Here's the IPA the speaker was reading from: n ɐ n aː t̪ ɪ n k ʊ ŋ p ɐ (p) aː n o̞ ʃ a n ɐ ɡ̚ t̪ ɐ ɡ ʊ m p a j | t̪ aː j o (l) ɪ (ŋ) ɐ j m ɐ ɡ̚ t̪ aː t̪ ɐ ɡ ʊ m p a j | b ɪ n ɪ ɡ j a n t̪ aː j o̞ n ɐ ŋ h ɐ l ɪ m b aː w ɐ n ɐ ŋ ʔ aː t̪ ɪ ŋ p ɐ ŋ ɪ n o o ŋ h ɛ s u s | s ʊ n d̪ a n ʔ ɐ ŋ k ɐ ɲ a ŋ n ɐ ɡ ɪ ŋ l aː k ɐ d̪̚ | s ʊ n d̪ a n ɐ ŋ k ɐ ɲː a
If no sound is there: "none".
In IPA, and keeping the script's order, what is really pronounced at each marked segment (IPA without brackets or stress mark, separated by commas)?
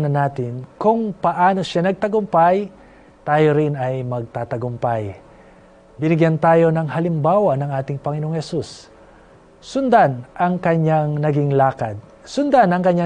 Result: ʔ, ɾ, n